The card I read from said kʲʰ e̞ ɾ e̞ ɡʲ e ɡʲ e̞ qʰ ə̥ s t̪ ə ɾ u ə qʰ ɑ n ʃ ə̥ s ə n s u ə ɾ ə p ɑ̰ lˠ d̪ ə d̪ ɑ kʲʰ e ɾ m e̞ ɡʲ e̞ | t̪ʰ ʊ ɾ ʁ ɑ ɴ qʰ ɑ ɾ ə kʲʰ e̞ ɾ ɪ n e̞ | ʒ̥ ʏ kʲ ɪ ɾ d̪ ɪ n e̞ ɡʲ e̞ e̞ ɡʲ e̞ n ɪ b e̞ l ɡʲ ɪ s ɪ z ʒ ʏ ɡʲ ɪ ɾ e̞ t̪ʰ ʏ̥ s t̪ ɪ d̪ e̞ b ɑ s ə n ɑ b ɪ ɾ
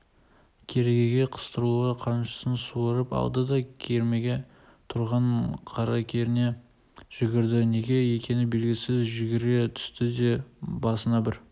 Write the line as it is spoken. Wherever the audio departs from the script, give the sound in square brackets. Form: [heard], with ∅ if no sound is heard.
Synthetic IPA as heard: kʲʰ e̞ ɾ e̞ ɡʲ e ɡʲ e̞ qʰ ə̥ s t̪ ə ɾ u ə qʰ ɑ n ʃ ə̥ s ə n s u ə ɾ ə p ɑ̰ lˠ d̪ ə d̪ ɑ kʲʰ e ɾ m e̞ ɡʲ e̞ | t̪ʰ ʊ ɾ ʁ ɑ ɴ qʰ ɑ ɾ [ɑ] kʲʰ e̞ ɾ ɪ n e̞ | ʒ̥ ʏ [ɡʲ] ɪ ɾ d̪ ɪ n e̞ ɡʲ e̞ e̞ [kʲ] e̞ n ɪ b e̞ l ɡʲ ɪ s ɪ z ʒ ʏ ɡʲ ɪ ɾ e̞ t̪ʰ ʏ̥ s t̪ ɪ d̪ e̞ b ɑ s ə n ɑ b ɪ ɾ